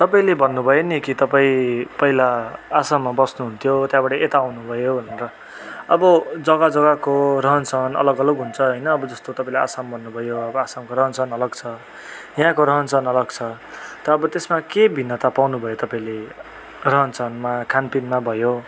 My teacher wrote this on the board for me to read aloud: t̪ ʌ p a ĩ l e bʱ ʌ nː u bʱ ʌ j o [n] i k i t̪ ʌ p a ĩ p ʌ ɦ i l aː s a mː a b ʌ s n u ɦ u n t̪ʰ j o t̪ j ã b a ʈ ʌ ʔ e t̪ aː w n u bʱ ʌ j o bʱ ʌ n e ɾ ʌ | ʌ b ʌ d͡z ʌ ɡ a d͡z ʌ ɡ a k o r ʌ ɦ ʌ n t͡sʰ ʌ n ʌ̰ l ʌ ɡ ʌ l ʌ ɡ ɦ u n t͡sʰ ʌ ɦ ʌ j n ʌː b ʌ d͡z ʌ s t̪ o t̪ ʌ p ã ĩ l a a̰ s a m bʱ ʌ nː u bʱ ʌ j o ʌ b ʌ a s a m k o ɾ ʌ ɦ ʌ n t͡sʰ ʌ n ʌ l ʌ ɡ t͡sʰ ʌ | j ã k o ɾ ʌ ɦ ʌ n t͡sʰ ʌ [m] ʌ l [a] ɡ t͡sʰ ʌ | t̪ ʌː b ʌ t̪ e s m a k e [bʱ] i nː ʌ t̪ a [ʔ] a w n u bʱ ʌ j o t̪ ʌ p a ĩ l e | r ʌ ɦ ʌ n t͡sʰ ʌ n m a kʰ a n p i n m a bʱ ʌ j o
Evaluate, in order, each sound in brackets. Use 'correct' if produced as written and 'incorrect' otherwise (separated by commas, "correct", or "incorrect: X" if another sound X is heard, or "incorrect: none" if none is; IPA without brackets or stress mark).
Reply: correct, incorrect: n, incorrect: ʌ, correct, incorrect: p